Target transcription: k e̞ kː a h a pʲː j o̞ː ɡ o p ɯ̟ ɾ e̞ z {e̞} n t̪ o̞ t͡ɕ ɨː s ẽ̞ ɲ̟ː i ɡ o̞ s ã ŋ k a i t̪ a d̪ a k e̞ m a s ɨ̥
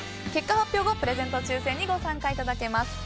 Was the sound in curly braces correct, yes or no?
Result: no